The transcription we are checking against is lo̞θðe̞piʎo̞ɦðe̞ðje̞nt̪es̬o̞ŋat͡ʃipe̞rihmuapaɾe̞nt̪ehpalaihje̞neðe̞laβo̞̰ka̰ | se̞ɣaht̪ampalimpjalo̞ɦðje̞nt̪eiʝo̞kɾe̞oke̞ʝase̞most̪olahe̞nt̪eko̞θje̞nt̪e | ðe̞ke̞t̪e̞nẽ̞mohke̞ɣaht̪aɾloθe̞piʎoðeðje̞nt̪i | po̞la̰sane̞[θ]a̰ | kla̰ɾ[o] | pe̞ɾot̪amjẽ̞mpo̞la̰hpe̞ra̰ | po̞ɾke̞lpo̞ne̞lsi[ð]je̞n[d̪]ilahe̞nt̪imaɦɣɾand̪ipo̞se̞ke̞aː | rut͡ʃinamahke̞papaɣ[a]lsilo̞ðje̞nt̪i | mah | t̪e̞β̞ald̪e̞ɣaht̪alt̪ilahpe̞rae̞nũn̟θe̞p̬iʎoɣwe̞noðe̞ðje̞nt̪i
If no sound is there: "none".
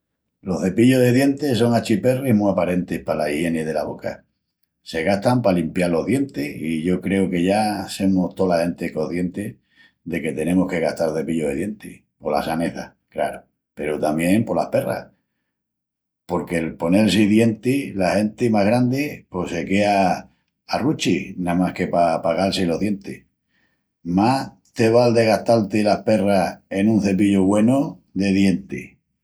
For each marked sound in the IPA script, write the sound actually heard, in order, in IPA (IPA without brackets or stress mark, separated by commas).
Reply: θ, o, ð, t̪, a